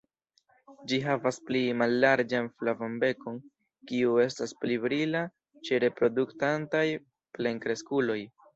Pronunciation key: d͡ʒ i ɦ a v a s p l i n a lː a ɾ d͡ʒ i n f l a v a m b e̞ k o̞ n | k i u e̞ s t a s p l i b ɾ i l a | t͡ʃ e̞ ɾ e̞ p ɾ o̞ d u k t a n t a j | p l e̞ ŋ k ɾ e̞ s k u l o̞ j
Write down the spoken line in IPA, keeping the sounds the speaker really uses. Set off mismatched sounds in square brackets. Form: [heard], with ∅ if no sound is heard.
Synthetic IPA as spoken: d͡ʒ i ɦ a v a s p l i [m] a lː a ɾ d͡ʒ [a] n f l a v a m b e̞ k o̞ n | k i u e̞ s t a s p l i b ɾ i l a | t͡ʃ e̞ ɾ e̞ p ɾ o̞ d u k t a n t a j | p l e̞ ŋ k ɾ e̞ s k u l o̞ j

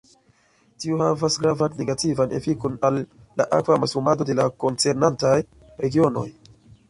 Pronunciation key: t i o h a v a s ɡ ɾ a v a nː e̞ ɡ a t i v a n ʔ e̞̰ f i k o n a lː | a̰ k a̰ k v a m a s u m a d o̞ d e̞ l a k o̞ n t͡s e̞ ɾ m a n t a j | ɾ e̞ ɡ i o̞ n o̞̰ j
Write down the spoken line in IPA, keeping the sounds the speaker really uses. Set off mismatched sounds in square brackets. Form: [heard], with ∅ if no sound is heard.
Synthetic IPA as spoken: t i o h a v a s ɡ ɾ a v a nː e̞ ɡ a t i v a n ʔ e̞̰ f i k o n a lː | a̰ [ʔ] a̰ k v a m a s u m a d o̞ d e̞ l a k o̞ n t͡s e̞ ɾ [n] a n t a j | ɾ e̞ ɡ i o̞ n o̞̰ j

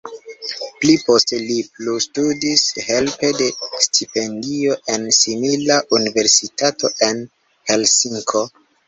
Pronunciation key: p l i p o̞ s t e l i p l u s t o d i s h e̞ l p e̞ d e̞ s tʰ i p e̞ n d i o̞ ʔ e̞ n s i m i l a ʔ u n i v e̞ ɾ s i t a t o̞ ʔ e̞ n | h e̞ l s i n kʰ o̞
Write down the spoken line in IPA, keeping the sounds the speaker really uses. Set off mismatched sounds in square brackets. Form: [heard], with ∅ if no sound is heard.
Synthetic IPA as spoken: p l i p o̞ s t e l i p l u s t [u] d i s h e̞ l p e̞ d e̞ s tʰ i p e̞ n d i o̞ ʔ e̞ n s i m i l a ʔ u n i v e̞ ɾ s i t a t o̞ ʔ e̞ n | h e̞ l s i [ŋ] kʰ o̞

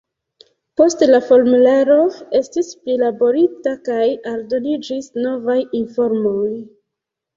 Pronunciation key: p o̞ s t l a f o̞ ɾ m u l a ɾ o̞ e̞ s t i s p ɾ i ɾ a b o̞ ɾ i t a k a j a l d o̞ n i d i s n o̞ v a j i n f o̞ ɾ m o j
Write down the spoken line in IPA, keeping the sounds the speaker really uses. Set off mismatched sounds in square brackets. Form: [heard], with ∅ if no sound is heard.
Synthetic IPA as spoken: p o̞ s t l a f o̞ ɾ m u l a ɾ o̞ e̞ s t i s p [l] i [l] a b o̞ ɾ i t a k a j a l d o̞ n i [d͡ʒ] i s n o̞ v a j i n f o̞ ɾ m o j

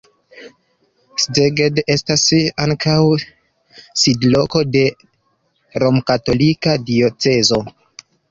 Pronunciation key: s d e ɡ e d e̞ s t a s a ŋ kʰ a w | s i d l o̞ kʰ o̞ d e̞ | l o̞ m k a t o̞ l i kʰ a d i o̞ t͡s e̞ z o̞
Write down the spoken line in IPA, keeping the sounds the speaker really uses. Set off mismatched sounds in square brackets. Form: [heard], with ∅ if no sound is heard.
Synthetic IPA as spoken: s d e ɡ e d e̞ s t a s a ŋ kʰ a w | s i d l o̞ [k] o̞ d e̞ | [ɾ] o̞ m k a t o̞ l i [k] a d i o̞ t͡s e̞ z o̞

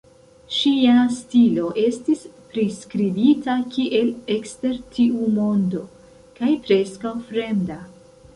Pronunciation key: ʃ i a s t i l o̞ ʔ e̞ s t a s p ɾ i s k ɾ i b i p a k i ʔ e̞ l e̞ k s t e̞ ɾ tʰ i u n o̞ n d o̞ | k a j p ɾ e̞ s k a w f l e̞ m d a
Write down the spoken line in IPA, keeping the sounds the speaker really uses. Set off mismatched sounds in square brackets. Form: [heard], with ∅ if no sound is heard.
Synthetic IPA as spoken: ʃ i a s t i l o̞ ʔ e̞ s t [i] s p ɾ i s k ɾ i b i [t] a k i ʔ e̞ l e̞ k s t e̞ ɾ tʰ i u [m] o̞ n d o̞ | k a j p ɾ e̞ s k a w f [ɾ] e̞ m d a

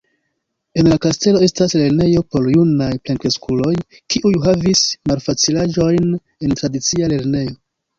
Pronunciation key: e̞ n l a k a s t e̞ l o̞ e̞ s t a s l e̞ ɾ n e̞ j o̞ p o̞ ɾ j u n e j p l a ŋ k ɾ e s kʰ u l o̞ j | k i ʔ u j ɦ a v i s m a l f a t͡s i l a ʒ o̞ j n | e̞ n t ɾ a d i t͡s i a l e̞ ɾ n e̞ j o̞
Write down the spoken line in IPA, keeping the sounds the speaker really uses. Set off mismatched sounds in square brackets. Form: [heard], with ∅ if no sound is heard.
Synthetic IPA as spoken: e̞ n l a k a s t e̞ l o̞ e̞ s t a s l e̞ ɾ n e̞ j o̞ p o̞ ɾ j u n [a] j p l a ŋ k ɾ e s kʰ u l o̞ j | k i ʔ u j ɦ a v i s m a l f a t͡s i l a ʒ o̞ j n | e̞ n t ɾ a d i t͡s i a l e̞ ɾ n e̞ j o̞

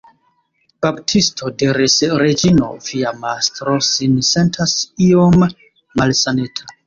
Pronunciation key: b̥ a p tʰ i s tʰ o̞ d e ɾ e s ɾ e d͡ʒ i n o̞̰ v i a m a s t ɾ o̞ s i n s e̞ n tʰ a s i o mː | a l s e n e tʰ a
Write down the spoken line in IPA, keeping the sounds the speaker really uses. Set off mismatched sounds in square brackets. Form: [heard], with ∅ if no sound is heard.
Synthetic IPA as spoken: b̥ a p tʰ i s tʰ o̞ d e ɾ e s ɾ e d͡ʒ i n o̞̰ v i a m a s t ɾ o̞ s i n s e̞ n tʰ a s i o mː | a l s [a] n e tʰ a

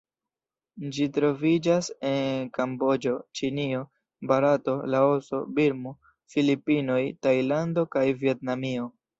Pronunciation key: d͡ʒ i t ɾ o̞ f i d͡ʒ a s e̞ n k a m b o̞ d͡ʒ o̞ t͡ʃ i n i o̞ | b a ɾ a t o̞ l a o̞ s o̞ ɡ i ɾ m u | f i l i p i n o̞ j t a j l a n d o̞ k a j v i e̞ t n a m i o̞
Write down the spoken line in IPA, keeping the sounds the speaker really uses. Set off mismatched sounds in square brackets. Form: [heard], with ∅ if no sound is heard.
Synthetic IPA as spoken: d͡ʒ i t ɾ o̞ [v] i d͡ʒ a s e̞ n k a m b o̞ d͡ʒ o̞ t͡ʃ i n i o̞ | b a ɾ a t o̞ l a o̞ s o̞ [b] i ɾ m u | f i l i p i n o̞ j t a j l a n d o̞ k a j v i e̞ t n a m i o̞

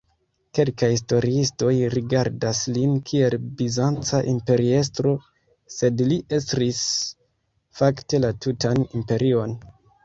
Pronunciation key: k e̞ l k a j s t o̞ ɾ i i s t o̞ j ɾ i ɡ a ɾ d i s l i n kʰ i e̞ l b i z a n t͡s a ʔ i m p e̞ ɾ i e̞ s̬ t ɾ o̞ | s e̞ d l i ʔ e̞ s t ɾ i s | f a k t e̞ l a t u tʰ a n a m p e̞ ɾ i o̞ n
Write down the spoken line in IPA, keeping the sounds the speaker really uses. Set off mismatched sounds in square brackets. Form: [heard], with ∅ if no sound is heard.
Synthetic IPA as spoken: k e̞ l k a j s t o̞ ɾ i i s t o̞ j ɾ i ɡ a ɾ d [a] s l i n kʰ i e̞ l b i z a n t͡s a ʔ i m p e̞ ɾ i e̞ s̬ t ɾ o̞ | s e̞ d l i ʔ e̞ s t ɾ i s | f a k t e̞ l a t u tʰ a n [i] m p e̞ ɾ i o̞ n

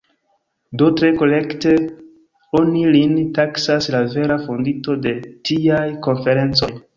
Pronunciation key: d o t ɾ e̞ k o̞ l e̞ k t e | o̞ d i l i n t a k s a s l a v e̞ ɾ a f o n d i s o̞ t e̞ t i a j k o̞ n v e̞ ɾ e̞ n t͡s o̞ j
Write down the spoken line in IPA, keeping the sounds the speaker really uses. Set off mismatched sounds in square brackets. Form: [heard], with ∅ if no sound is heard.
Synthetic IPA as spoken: d o t ɾ e̞ k o̞ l e̞ k t e | o̞ [n] i l i n t a k s a s l a v e̞ ɾ a f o n d i [t] o̞ [d] e̞ t i a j k o̞ n [f] e̞ ɾ e̞ n t͡s o̞ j

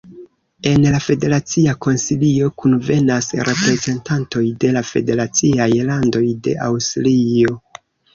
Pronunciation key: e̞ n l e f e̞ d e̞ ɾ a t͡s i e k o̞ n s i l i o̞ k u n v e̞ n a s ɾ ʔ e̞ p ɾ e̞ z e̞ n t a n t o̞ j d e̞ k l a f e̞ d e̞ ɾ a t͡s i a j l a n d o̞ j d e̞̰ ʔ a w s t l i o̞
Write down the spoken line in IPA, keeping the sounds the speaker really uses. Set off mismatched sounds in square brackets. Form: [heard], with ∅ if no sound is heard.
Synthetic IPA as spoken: e̞ n l [a] f e̞ d e̞ ɾ a t͡s i [a] k o̞ n s i l i o̞ k u n v e̞ n a s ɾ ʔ e̞ p ɾ e̞ z e̞ n t a n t o̞ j d e̞ [∅] l a f e̞ d e̞ ɾ a t͡s i a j l a n d o̞ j d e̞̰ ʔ a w s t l i o̞

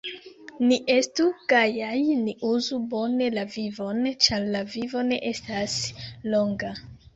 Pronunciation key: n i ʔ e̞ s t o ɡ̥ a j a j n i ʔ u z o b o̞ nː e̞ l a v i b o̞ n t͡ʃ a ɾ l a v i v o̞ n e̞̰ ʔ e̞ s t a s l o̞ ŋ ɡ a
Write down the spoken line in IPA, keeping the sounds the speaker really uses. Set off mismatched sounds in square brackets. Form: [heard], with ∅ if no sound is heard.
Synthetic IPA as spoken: n i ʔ e̞ s t [u] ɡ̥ a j a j n i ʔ u z [u] b o̞ [n] e̞ l a v i [v] o̞ n t͡ʃ a ɾ l a v i v o̞ n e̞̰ ʔ e̞ s t a s l o̞ ŋ ɡ a

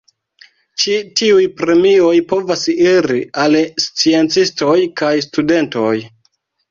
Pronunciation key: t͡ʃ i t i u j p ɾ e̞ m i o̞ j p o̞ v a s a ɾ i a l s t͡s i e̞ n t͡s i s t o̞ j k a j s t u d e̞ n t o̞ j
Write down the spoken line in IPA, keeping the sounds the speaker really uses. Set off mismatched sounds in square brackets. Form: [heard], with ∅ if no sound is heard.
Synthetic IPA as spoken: t͡ʃ i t i u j p ɾ e̞ m i o̞ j p o̞ v a s [i] ɾ i a l s t͡s i e̞ n t͡s i s t o̞ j k a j s t u d e̞ n t o̞ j

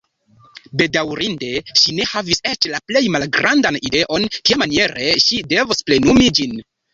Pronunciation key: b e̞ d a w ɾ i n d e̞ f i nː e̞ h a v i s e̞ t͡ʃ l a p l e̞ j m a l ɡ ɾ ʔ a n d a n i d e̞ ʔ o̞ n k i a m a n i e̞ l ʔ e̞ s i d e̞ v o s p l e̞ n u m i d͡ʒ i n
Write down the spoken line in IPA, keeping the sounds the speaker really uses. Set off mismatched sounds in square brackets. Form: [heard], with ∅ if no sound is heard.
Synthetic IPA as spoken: b e̞ d a w ɾ i n d e̞ [ʃ] i [n] e̞ h a v i s e̞ t͡ʃ l a p l e̞ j m a l ɡ ɾ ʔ a n d a n i d e̞ ʔ o̞ n k i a m a n i e̞ [ɾ] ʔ e̞ [ʃ] i d e̞ v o s p l e̞ n u m i d͡ʒ i n

